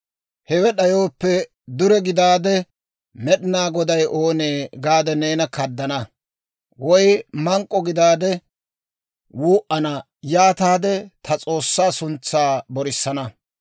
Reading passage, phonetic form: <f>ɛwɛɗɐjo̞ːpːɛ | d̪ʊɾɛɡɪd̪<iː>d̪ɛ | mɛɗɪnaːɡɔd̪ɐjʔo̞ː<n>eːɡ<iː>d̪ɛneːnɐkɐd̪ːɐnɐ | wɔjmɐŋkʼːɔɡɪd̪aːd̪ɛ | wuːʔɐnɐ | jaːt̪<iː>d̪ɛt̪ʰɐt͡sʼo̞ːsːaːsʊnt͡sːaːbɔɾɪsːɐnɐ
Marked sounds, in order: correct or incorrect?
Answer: incorrect: h, incorrect: aː, correct, incorrect: aː, incorrect: aː

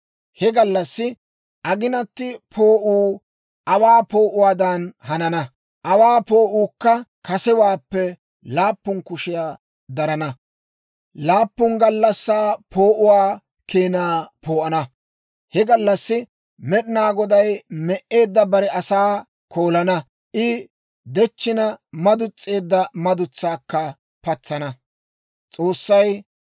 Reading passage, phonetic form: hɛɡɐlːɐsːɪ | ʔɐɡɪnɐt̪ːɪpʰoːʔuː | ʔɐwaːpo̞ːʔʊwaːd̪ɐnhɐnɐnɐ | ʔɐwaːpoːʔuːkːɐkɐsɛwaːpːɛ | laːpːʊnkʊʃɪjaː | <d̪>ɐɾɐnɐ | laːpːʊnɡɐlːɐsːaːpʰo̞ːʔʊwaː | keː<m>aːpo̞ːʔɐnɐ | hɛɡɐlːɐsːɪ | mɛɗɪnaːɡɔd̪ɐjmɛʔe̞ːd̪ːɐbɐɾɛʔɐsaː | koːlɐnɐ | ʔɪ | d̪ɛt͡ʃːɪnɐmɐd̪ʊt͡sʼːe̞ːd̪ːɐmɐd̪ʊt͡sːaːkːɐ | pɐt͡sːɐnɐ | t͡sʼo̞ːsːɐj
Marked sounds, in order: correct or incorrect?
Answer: correct, incorrect: n

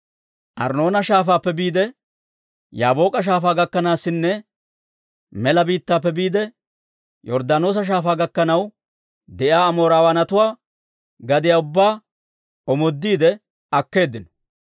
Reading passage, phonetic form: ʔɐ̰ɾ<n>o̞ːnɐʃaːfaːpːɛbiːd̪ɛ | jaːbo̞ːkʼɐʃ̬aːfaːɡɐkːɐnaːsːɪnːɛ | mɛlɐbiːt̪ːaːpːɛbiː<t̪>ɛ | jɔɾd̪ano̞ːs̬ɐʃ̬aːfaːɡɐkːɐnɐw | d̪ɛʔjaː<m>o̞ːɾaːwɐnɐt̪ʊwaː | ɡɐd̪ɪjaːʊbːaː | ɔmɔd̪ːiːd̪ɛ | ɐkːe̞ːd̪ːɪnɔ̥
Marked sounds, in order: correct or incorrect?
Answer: correct, incorrect: d̪, correct

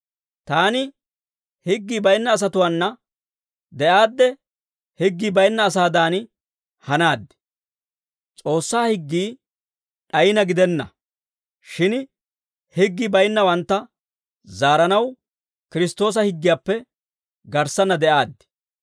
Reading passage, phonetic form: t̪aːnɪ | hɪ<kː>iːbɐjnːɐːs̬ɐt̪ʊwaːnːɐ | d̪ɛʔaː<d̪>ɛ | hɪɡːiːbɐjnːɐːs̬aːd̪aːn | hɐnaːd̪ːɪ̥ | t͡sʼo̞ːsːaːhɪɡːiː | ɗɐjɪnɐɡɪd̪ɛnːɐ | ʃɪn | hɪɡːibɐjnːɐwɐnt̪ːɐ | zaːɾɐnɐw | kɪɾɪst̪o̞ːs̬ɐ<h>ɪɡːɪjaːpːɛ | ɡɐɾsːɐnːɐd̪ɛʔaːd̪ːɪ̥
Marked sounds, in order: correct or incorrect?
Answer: incorrect: ɡː, incorrect: d̪ː, correct

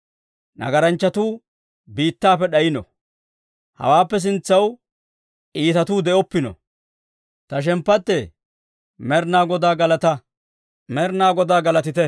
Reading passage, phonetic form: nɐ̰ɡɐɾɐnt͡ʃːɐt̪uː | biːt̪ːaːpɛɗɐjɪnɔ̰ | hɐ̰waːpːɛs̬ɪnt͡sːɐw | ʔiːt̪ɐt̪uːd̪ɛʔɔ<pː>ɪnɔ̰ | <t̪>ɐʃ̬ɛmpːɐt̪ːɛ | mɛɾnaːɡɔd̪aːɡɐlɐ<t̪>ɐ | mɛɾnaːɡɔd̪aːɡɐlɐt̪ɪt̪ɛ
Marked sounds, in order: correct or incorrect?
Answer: correct, correct, correct

